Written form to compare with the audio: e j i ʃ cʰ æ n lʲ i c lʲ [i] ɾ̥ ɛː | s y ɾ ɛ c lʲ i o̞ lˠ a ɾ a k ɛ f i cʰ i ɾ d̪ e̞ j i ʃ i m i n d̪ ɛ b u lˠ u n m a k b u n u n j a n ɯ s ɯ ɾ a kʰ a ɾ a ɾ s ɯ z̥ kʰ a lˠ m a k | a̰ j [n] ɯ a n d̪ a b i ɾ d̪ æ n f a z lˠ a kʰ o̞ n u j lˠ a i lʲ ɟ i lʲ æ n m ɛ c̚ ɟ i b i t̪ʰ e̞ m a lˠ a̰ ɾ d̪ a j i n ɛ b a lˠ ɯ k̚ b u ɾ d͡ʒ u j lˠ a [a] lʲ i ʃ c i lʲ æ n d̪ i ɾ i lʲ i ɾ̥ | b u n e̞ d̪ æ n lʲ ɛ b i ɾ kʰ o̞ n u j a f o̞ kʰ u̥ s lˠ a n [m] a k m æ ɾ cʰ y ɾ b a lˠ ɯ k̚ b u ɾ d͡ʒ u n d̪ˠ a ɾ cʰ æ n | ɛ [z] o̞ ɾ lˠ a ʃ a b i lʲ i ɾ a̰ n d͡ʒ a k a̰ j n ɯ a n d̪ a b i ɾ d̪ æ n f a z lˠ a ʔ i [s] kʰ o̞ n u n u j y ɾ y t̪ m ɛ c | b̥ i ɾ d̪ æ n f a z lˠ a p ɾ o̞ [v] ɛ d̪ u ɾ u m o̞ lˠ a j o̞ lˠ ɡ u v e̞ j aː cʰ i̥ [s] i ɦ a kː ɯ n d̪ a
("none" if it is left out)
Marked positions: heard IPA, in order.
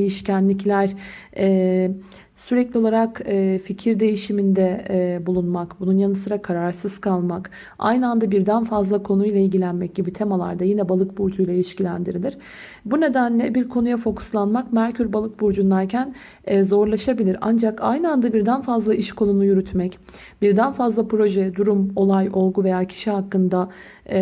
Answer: æ, n, i, m, z, ʃ, ʒ, ʃ

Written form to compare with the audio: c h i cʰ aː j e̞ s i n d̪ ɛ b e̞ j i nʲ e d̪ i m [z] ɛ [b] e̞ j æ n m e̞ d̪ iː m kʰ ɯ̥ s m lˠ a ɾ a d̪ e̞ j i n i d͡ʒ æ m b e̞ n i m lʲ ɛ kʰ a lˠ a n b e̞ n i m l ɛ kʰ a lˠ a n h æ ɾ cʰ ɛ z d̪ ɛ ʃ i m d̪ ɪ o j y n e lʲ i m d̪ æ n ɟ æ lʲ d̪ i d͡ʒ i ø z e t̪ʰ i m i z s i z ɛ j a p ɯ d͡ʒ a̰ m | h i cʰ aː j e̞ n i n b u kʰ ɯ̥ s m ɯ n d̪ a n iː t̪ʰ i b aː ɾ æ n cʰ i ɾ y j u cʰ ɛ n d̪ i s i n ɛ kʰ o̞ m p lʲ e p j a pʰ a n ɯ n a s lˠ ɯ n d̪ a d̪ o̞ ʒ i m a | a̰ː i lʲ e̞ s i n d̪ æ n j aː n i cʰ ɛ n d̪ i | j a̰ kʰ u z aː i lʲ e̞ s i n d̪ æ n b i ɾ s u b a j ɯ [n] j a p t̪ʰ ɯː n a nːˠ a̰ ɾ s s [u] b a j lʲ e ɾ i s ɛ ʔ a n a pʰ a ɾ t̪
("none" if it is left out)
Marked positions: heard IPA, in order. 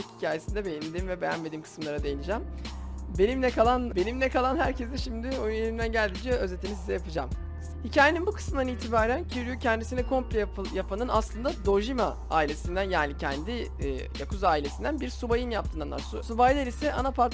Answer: v, b, n, u

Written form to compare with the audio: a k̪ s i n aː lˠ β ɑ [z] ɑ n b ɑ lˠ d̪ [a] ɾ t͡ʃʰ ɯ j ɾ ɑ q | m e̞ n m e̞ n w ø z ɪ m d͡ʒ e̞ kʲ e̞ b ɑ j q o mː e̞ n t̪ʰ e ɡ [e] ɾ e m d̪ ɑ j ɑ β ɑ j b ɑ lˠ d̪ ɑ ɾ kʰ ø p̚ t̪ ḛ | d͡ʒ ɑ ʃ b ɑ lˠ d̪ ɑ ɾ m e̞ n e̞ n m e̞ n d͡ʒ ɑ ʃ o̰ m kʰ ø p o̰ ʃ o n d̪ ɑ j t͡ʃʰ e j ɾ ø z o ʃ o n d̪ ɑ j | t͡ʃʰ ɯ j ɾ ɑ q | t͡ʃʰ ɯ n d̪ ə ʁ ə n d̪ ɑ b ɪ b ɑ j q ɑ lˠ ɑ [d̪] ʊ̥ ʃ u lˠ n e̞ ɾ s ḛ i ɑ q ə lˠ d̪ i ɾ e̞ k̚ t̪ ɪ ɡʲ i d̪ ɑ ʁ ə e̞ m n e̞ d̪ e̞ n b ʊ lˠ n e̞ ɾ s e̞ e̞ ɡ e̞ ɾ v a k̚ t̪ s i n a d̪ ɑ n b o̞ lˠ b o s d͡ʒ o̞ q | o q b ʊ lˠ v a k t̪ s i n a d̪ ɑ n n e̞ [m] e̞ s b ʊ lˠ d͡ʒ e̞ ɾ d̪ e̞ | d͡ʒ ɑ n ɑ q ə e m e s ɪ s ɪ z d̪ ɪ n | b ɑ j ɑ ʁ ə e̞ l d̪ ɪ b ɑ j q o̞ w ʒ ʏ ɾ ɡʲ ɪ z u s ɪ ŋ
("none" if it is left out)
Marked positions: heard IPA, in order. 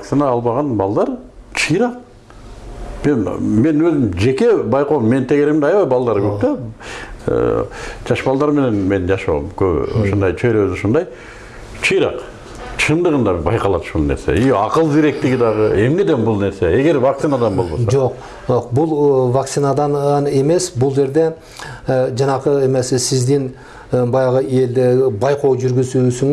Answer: ʁ, ɑ, e, t̪, m

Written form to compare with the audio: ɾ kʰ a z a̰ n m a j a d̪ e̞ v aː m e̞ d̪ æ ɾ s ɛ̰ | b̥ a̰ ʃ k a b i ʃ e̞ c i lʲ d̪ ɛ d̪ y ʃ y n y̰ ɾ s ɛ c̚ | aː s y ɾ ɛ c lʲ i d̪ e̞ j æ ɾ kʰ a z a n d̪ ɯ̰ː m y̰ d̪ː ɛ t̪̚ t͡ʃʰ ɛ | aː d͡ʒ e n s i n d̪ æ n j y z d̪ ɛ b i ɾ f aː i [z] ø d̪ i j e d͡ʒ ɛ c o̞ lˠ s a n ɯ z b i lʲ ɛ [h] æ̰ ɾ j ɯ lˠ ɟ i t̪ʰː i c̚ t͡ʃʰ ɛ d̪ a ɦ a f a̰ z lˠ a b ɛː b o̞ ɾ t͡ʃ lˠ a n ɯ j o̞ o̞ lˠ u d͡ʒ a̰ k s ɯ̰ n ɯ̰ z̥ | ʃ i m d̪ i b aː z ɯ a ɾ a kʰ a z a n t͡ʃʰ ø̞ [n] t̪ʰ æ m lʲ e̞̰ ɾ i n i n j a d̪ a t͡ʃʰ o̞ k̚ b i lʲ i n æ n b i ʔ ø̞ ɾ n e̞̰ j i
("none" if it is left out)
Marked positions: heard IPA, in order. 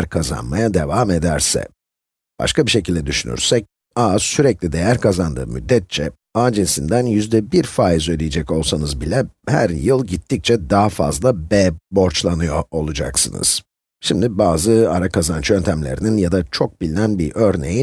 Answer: z, h, n

